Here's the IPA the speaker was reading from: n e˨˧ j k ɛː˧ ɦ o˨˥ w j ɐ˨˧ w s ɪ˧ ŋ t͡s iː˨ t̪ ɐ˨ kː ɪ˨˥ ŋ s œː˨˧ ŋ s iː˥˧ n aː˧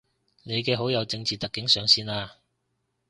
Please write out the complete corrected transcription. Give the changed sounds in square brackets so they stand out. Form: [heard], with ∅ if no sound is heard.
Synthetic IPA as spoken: n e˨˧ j k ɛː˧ ɦ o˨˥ w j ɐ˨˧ w [t͡s] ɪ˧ ŋ t͡s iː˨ t̪ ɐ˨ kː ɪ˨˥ ŋ s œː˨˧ ŋ s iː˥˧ n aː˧

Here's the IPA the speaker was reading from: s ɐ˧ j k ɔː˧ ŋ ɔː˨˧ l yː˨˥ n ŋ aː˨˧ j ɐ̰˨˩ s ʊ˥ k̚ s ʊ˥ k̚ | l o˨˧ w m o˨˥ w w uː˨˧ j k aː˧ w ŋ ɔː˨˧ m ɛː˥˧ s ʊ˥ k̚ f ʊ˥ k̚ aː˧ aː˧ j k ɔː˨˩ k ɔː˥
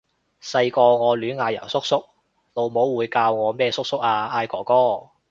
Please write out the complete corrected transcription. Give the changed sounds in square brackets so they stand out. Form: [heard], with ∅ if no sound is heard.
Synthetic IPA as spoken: s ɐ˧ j k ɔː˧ ŋ ɔː˨˧ l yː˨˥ n ŋ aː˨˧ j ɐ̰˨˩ s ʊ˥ k̚ s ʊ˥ k̚ | l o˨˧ w m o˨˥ w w uː˨˧ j k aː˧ w ŋ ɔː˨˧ m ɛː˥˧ s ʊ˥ k̚ [s] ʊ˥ k̚ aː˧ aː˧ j k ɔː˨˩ k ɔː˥

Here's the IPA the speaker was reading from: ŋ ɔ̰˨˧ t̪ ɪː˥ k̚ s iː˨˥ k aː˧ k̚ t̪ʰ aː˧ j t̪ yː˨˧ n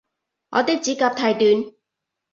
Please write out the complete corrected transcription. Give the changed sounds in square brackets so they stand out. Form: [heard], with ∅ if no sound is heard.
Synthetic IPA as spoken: ŋ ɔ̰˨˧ t̪ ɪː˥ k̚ [t͡s] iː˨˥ k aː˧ [p̚] t̪ʰ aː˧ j t̪ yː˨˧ n

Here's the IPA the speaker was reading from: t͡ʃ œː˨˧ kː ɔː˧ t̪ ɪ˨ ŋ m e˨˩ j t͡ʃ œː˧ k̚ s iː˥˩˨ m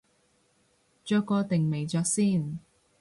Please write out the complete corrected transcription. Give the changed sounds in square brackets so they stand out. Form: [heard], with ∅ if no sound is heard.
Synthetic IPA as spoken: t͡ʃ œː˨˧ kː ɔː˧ t̪ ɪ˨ ŋ m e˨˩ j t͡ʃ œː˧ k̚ s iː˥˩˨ [n]

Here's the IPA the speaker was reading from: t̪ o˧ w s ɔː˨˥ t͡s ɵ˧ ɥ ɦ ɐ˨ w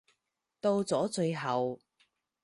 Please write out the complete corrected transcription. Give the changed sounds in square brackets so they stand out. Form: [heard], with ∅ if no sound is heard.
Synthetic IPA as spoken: t̪ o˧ w [t͡s] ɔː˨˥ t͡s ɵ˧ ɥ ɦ ɐ˨ w

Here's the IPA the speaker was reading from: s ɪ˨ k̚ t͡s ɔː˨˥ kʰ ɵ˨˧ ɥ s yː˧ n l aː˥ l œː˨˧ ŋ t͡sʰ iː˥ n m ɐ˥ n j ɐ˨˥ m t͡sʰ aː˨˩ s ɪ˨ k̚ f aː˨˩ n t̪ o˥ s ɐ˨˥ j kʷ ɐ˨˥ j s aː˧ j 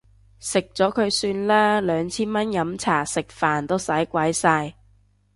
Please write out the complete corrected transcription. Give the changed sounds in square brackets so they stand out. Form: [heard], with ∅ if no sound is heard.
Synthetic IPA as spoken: s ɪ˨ k̚ t͡s ɔː˨˥ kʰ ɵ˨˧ ɥ s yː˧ n l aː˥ l œː˨˧ ŋ t͡sʰ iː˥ n m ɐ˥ n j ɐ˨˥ m t͡sʰ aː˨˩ s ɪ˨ k̚ f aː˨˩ n t̪ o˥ s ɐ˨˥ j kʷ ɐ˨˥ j s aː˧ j

